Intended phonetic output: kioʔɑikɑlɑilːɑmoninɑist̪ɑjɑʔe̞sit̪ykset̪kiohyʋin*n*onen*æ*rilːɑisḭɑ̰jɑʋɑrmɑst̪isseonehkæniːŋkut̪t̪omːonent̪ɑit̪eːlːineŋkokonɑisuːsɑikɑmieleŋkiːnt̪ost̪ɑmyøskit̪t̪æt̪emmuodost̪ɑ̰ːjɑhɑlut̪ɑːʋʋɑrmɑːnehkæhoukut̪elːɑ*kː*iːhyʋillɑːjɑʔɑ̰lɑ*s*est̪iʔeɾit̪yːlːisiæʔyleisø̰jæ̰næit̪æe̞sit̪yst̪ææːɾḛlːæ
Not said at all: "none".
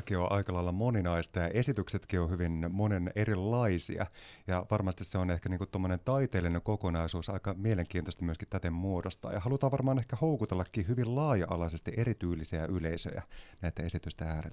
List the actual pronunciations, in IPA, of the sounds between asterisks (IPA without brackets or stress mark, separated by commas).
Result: m, e, kː, s